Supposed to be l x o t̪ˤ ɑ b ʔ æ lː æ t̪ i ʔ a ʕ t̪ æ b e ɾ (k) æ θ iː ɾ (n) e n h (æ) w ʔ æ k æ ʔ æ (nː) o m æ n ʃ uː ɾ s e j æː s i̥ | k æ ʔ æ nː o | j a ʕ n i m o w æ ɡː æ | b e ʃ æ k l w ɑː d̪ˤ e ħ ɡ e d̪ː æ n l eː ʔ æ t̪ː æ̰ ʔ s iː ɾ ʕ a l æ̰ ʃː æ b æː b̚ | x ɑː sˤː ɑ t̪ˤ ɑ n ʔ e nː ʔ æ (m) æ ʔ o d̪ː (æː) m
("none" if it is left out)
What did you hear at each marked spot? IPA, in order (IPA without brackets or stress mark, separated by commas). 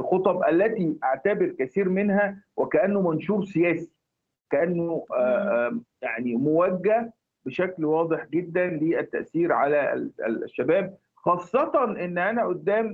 k, m, æ, nː, n, æː